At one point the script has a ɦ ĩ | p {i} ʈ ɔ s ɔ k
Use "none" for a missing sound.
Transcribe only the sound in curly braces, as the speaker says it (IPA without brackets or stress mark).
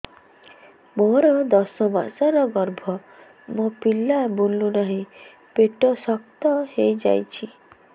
e